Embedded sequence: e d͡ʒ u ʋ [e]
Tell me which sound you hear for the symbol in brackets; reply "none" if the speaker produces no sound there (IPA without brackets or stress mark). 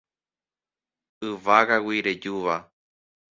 a